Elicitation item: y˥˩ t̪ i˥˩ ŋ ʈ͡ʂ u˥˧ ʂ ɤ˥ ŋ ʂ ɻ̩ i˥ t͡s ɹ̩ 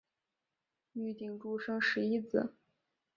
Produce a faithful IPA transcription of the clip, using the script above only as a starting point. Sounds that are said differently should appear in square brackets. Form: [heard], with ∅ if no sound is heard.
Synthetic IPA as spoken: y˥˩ t̪ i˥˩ ŋ ʈ͡ʂ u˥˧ ʂ ɤ˥ ŋ ʂ ɻ̩ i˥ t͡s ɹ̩